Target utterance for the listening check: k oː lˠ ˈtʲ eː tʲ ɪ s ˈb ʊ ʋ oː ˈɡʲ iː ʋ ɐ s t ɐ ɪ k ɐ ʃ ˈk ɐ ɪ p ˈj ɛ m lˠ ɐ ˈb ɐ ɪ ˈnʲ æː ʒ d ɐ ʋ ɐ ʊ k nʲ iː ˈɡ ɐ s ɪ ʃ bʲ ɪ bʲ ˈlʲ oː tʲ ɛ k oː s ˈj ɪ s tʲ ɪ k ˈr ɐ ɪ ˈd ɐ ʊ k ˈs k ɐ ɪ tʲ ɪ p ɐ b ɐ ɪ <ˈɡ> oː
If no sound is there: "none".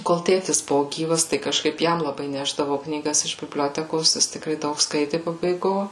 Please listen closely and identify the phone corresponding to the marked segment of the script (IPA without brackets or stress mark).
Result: ɡ